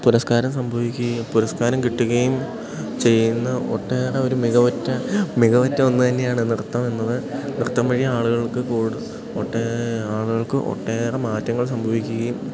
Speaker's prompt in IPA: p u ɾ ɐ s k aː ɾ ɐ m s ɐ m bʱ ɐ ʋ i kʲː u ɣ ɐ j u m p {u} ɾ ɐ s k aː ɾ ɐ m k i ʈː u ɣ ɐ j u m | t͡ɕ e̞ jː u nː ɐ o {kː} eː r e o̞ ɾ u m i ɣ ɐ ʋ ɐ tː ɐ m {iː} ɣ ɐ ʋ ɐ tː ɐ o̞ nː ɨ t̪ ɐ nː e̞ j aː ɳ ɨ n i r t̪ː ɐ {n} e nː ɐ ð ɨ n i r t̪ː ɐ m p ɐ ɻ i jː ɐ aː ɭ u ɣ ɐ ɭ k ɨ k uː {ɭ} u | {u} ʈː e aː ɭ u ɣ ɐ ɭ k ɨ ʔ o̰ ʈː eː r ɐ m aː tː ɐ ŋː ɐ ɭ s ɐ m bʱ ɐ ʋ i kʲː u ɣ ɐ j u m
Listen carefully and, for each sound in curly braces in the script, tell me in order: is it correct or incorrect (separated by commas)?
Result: correct, incorrect, incorrect, incorrect, incorrect, incorrect